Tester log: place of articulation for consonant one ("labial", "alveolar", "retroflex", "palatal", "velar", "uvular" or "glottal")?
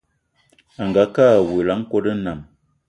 velar